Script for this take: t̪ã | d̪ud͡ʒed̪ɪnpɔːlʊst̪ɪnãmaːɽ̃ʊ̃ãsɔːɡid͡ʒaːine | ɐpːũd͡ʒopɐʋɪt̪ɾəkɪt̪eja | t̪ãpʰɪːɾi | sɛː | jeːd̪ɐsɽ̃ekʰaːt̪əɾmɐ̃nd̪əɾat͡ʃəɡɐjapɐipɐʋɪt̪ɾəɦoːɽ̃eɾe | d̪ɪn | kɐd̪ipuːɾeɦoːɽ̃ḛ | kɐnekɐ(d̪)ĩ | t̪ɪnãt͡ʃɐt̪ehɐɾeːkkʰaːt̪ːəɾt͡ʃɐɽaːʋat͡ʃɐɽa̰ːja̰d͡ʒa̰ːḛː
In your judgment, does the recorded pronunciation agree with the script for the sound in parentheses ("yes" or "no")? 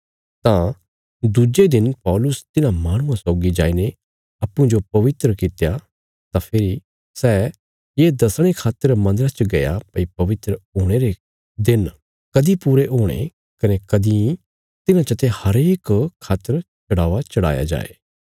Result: yes